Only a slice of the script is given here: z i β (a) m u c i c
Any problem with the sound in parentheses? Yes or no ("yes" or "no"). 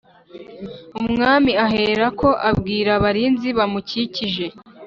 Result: no